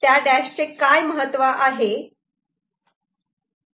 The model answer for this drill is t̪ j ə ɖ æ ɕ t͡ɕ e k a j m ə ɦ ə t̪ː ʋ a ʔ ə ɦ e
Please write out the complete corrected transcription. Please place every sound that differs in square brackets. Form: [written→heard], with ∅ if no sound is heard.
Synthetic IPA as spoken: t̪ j [ə→a] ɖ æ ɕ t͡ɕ e k a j m ə ɦ ə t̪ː ʋ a ʔ [ə→a] ɦ e